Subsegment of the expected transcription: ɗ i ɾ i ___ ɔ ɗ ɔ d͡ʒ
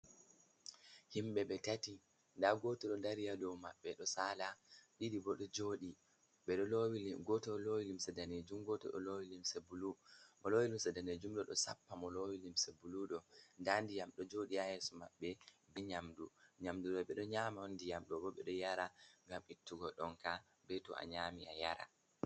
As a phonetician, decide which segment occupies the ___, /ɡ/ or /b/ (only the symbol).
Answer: b